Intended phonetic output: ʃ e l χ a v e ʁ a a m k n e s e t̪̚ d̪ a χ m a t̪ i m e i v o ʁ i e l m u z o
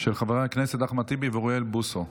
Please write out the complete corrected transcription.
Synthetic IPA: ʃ e l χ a v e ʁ a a k n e s e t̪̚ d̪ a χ m a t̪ i b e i v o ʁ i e l b u s o

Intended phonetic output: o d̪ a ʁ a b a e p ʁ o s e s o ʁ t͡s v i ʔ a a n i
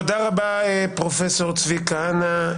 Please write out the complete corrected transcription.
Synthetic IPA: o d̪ a ʁ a b a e p ʁ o f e s o ʁ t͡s v i k a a n a

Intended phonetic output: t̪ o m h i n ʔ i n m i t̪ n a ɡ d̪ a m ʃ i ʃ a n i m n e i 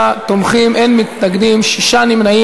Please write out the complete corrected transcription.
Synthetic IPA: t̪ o m χ i m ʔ e n m i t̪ n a ɡ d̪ i m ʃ i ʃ a n i m n a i

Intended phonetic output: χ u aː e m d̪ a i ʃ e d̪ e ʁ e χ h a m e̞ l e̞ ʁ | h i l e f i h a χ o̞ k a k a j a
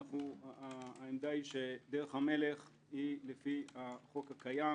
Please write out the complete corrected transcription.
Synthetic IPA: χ u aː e m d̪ a i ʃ e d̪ e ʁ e χ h a m e̞ l e̞ χ | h i l e f i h a χ o̞ k a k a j a

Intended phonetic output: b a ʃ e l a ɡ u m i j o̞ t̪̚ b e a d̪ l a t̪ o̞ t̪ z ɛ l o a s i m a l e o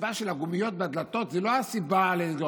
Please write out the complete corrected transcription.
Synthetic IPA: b a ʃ e l a ɡ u m i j o̞ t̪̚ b e a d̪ l a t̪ o̞ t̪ z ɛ l o a s i b a l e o

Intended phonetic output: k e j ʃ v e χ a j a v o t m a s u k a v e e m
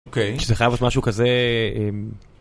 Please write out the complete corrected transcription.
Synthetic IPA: k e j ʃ z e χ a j a v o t m a ʃ u k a z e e m

